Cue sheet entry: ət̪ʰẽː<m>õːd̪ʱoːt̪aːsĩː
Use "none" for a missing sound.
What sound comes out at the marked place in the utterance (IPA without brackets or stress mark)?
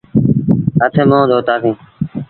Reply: m